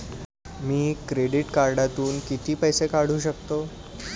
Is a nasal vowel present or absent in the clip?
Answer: absent